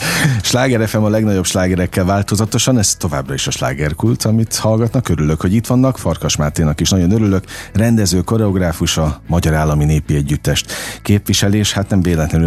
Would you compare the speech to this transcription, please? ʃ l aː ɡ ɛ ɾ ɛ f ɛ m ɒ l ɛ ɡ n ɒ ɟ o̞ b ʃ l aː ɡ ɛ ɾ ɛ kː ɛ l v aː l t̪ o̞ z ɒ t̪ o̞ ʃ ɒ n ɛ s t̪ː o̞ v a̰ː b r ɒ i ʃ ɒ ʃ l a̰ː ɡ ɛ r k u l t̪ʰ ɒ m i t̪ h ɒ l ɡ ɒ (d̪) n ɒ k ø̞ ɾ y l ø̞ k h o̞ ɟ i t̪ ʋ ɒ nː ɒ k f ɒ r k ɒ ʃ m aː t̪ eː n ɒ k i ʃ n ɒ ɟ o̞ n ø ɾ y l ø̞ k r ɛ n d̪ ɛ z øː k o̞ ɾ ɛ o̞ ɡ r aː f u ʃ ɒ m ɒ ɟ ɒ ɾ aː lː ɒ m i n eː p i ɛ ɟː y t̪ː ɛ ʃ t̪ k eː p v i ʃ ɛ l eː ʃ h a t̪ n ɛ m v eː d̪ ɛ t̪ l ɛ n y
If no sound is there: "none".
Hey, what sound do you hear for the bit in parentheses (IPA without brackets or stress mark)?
t̪